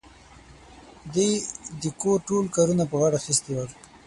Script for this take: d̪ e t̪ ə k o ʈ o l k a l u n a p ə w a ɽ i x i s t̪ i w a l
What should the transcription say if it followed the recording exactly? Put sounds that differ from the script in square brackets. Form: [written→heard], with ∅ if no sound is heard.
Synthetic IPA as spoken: d̪ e [t̪→d̪] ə k o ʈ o l k a [l→ɾ] u n a p ə [w→ɣ] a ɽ [i→a] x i s t̪ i w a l